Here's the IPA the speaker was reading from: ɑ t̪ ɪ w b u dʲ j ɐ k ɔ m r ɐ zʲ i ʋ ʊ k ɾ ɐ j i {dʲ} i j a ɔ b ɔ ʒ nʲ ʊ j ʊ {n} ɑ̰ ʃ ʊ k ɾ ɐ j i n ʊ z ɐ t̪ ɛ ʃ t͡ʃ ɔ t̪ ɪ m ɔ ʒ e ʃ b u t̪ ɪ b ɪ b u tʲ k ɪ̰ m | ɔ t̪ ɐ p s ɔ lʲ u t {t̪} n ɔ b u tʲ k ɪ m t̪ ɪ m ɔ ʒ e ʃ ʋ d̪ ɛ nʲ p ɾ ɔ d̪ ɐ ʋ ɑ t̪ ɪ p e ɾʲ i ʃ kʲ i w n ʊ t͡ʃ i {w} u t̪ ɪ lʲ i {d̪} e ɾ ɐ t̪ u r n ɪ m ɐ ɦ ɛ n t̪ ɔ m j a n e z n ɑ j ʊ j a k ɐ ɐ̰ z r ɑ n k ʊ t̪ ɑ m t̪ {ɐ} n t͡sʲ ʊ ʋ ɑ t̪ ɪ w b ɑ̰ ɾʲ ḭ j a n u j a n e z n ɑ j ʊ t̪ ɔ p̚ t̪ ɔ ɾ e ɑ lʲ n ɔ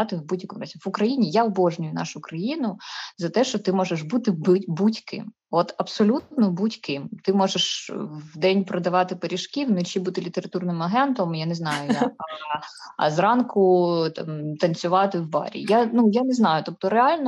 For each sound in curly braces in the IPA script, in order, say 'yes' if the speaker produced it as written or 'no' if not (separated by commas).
no, yes, yes, no, no, yes